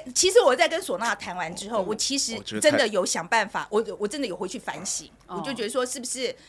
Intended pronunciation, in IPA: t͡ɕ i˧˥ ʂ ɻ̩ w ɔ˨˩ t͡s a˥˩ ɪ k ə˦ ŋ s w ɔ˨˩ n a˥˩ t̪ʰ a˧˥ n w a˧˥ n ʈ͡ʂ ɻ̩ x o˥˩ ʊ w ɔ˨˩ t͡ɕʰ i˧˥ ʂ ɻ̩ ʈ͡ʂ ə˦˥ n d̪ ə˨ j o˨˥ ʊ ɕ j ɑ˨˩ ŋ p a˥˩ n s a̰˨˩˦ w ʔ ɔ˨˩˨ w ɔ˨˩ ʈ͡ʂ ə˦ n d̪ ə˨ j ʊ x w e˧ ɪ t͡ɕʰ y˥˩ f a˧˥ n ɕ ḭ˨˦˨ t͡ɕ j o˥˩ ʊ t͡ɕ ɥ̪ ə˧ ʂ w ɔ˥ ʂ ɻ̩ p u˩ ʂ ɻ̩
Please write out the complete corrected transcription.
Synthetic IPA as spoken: t͡ɕʰ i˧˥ ʂ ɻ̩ w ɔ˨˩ t͡s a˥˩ ɪ k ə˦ n s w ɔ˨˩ n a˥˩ t̪ʰ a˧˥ n w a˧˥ n ʈ͡ʂ ɻ̩ x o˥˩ ʊ w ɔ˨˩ t͡ɕʰ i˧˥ ʂ ɻ̩ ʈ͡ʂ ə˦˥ n d̪ ə˨ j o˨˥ ʊ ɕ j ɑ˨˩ ŋ p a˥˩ n f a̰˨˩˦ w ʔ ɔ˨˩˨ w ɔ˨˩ ʈ͡ʂ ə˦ n d̪ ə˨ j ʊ x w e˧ ɪ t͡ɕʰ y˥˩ f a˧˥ n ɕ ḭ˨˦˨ t͡ɕ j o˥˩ ʊ t͡ɕ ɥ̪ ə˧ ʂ w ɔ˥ ʂ ɻ̩ b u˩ ʂ ɻ̩